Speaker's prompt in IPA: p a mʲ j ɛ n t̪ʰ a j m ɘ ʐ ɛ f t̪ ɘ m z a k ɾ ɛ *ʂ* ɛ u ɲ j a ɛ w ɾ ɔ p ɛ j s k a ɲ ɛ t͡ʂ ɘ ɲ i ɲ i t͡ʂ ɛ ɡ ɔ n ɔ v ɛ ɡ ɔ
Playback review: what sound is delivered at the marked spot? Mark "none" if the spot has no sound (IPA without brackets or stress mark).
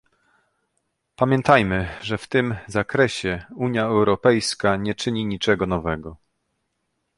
ɕ